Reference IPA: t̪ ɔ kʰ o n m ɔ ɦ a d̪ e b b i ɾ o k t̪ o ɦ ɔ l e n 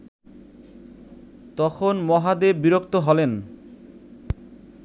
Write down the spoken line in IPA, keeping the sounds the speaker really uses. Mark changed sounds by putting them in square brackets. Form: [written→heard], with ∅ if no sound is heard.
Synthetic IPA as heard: t̪ ɔ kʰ o n m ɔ ɦ a d̪ e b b i ɾ o k t̪ o ɦ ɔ l e n